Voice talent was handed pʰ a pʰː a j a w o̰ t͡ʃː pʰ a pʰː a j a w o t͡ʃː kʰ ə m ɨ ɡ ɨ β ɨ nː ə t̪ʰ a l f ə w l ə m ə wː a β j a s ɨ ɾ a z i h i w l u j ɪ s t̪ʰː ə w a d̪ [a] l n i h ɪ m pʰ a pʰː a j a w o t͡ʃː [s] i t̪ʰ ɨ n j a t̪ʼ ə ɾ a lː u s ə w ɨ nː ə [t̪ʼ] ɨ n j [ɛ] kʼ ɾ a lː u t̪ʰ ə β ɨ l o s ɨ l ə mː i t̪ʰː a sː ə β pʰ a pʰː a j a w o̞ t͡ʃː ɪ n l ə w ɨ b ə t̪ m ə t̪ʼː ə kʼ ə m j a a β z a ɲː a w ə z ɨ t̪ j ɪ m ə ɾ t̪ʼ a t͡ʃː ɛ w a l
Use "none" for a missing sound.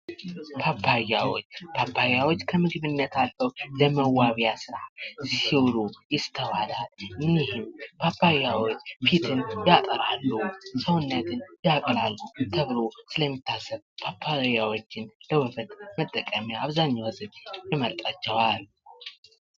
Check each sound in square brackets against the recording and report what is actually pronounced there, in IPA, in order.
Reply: a, f, t̪, a

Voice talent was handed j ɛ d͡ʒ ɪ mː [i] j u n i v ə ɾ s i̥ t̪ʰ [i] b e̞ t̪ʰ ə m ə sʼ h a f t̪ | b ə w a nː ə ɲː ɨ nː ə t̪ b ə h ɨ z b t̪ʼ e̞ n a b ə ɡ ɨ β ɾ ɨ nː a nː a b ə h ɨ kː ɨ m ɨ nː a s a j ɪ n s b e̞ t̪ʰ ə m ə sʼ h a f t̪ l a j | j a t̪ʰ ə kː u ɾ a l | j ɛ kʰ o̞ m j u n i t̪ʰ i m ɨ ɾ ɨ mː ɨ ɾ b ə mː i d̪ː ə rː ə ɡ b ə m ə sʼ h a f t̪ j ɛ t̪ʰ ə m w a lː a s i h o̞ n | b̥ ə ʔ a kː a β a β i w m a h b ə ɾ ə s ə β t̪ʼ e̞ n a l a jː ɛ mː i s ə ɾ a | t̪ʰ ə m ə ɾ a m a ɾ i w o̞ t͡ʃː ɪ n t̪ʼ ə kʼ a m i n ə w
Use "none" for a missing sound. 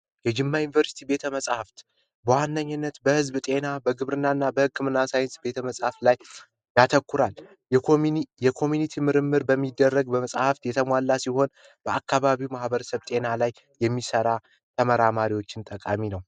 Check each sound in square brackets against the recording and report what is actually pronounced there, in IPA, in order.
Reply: a, i

